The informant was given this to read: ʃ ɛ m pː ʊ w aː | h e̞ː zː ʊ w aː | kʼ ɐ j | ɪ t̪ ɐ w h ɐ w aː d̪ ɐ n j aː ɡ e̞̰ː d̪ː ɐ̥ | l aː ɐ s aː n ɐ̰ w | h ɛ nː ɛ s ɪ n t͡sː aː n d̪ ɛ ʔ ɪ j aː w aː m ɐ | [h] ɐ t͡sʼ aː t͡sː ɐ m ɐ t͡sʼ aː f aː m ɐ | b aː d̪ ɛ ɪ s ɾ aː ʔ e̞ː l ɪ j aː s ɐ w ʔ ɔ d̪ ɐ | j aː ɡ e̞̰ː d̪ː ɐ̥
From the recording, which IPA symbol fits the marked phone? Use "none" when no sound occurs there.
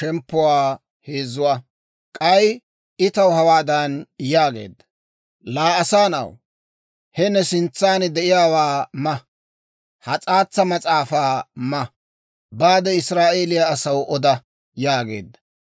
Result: h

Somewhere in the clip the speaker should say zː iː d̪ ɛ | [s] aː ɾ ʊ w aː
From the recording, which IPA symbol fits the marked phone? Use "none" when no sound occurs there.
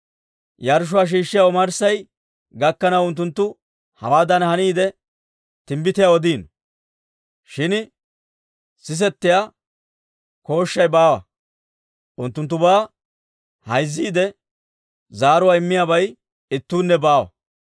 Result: z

